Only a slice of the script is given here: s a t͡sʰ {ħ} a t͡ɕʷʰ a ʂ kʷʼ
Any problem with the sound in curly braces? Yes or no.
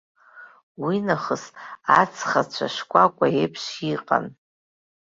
yes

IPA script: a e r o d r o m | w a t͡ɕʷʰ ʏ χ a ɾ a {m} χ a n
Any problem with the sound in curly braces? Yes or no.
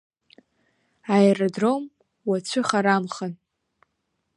no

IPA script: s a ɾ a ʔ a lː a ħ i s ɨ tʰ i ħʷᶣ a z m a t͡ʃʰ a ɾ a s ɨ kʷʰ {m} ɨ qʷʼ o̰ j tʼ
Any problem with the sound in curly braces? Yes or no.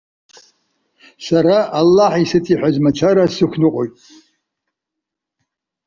yes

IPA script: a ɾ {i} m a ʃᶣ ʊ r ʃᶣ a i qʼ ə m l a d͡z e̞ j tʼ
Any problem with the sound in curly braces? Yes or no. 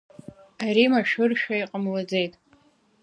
no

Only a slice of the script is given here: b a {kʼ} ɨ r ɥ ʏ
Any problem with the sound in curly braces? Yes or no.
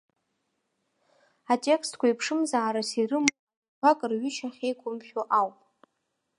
no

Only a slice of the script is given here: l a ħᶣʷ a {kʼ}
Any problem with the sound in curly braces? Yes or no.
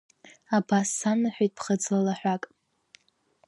no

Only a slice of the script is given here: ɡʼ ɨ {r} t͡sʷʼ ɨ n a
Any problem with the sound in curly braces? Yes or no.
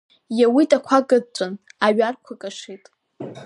yes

